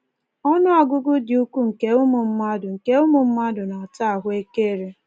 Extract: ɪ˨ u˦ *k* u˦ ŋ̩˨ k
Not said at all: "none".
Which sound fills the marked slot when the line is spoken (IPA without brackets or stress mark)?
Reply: k